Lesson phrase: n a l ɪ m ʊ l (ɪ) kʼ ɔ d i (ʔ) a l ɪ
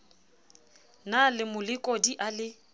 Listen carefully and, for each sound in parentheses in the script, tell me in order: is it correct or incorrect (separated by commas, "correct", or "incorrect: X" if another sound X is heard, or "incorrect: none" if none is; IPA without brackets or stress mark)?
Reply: correct, correct